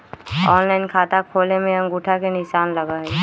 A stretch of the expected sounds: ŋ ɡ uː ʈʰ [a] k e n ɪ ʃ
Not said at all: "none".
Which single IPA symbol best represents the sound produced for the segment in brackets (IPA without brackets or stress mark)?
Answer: a